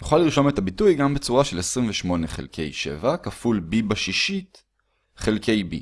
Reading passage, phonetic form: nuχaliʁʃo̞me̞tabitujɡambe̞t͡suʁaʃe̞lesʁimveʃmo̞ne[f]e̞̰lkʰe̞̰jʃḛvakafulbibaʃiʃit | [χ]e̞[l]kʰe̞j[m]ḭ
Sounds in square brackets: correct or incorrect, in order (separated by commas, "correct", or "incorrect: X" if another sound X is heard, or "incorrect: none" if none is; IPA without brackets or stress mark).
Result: incorrect: χ, correct, correct, incorrect: b